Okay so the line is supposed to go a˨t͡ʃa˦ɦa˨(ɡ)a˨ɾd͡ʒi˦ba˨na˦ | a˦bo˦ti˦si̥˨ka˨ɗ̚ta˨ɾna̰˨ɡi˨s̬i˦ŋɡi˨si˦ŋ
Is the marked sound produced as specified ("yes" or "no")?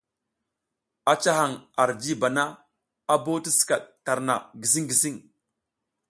no